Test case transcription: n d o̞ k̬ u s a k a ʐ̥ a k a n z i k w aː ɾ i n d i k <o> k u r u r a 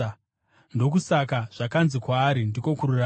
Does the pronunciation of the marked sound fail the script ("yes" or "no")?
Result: no